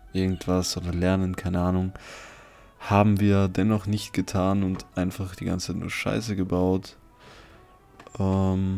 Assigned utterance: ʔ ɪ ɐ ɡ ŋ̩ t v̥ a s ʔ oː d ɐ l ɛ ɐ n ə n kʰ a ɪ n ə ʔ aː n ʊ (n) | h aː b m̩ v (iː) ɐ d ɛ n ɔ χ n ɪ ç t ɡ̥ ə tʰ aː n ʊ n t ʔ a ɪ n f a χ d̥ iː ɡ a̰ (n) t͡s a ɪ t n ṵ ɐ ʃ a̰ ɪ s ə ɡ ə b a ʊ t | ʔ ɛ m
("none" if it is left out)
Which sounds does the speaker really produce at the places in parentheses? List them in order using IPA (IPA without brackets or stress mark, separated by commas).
ŋ, iː, n